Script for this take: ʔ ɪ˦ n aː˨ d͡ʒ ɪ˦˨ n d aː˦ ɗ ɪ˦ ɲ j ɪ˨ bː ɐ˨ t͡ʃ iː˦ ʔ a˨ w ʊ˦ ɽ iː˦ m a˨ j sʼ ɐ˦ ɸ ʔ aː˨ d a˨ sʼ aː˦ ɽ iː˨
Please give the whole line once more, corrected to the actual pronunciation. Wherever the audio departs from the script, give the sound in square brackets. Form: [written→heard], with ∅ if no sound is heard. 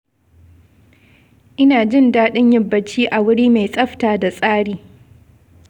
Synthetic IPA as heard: ʔ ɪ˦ n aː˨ d͡ʒ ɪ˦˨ n d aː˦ ɗ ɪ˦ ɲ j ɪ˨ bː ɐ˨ t͡ʃ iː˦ ʔ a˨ w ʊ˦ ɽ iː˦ m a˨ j sʼ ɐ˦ ɸ [ʔ→t] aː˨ d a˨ sʼ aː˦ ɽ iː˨